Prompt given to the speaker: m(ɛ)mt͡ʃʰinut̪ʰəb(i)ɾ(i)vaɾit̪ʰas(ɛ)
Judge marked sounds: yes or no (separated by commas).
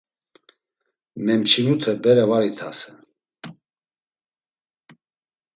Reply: yes, no, no, yes